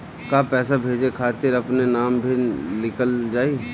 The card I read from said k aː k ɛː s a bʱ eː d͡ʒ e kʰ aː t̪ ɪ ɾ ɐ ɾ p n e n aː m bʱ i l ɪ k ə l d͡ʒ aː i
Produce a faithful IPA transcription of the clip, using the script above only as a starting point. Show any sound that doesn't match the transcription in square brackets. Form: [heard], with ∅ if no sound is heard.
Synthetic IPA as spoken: k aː [p] ɛː s a bʱ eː d͡ʒ e kʰ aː t̪ ɪ ɾ ɐ [∅] p n e n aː m bʱ i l ɪ k ə l d͡ʒ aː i